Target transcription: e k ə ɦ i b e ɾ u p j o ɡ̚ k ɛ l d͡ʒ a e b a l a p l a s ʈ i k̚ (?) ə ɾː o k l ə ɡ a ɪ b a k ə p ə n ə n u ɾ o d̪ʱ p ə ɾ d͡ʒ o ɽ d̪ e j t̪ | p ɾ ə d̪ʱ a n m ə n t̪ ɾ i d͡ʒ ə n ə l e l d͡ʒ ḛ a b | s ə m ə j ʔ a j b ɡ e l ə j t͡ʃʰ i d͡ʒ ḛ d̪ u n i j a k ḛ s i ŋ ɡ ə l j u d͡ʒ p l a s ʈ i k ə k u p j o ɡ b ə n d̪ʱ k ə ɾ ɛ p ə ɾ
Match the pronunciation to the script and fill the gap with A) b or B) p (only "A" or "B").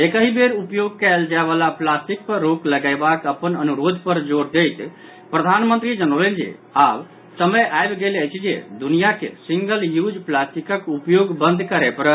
B